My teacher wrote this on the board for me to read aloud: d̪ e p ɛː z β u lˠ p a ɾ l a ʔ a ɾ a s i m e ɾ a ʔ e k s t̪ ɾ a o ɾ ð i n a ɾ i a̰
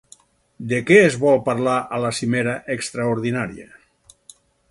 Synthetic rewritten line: d̪ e k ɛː z β ɔ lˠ p a ɾ l a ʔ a l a s i m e ɾ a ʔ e k s t̪ ɾ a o ɾ ð i n a ɾ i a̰